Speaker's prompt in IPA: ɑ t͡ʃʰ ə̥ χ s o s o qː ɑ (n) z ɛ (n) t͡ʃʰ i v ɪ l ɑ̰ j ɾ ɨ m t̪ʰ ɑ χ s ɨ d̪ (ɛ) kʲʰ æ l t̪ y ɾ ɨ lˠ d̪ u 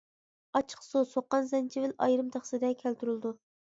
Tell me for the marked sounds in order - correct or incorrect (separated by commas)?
correct, correct, correct